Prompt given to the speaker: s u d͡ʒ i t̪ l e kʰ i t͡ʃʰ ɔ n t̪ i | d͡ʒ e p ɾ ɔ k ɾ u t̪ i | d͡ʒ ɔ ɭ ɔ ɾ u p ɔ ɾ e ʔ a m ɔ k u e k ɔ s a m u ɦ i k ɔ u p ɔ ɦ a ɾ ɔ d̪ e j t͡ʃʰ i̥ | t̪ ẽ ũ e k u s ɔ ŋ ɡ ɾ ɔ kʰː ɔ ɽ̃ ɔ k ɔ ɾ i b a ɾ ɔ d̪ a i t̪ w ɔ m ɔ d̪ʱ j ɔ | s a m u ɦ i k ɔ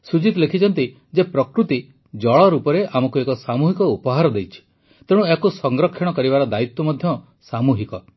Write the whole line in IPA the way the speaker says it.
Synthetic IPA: s u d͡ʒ i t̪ l e kʰ i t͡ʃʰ ɔ n t̪ i | d͡ʒ e p ɾ ɔ k ɾ u t̪ i | d͡ʒ ɔ ɭ ɔ ɾ u p ɔ ɾ e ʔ a m ɔ k u e k ɔ s a m u ɦ i k ɔ u p ɔ ɦ a ɾ ɔ d̪ e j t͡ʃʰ i̥ | t̪ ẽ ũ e k u s ɔ ŋ ɡ ɾ ɔ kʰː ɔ ɽ̃ ɔ k ɔ ɾ i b a ɾ ɔ d̪ a i t̪ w ɔ m ɔ d̪ʱ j ɔ | s a m u ɦ i k ɔ